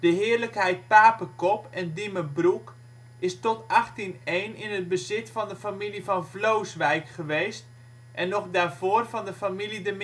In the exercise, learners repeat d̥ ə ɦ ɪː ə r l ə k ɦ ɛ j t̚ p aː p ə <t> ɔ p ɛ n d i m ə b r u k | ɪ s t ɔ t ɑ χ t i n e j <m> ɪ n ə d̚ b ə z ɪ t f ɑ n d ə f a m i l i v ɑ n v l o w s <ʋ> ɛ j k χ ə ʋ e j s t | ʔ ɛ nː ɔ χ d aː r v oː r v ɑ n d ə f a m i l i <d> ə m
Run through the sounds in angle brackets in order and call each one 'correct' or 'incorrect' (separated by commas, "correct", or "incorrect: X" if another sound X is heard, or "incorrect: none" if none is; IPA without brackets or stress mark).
incorrect: k, incorrect: n, correct, correct